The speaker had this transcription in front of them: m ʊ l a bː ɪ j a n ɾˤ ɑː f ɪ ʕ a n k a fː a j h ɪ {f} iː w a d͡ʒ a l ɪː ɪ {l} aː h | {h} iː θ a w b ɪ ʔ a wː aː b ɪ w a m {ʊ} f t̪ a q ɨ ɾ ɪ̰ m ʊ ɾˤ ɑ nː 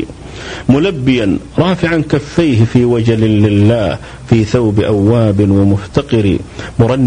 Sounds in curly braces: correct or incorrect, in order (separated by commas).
correct, incorrect, incorrect, correct